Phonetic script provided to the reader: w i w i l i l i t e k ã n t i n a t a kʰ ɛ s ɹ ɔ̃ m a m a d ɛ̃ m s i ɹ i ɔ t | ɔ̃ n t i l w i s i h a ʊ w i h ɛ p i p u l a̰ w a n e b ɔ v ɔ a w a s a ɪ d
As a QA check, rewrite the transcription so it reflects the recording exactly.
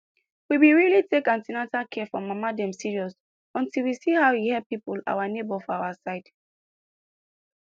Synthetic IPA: w i w i ɹ i l i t e k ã n t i n a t a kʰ ɛ f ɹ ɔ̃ m a m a d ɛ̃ m s i ɹ i ɔ s | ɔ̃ n t i l w i s i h a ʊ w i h ɛ p i p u l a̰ w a n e b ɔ f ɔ a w a s a ɪ d